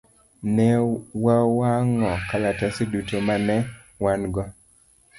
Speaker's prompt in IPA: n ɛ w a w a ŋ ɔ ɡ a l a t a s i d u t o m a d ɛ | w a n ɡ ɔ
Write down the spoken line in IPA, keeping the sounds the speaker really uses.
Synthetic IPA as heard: n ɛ w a w a ŋ ɔ k a l a t a s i d u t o m a n ɛ | w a n ɡ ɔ